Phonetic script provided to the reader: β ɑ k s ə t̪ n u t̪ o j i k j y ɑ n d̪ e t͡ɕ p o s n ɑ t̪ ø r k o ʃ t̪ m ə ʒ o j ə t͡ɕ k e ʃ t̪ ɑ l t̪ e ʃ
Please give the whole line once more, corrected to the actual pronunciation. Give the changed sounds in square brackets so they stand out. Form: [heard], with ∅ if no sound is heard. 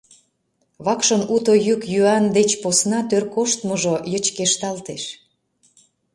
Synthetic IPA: β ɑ k [ʃ] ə [∅] n u t̪ o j [y] k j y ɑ n d̪ e t͡ɕ p o s n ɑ t̪ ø r k o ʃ t̪ m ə ʒ o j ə t͡ɕ k e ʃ t̪ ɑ l t̪ e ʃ